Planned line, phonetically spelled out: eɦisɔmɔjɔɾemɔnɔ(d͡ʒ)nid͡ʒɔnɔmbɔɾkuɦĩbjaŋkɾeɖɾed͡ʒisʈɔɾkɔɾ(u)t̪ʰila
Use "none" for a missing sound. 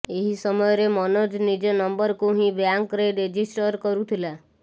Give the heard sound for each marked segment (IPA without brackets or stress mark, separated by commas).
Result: d͡ʒ, u